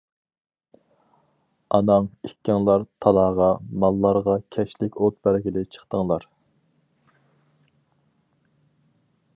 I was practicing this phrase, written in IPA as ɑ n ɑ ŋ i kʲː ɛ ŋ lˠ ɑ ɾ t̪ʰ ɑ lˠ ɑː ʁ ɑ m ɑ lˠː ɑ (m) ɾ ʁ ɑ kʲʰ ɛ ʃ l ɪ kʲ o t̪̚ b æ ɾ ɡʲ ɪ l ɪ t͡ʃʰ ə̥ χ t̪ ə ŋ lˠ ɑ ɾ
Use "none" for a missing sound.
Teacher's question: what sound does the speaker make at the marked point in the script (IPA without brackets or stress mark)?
none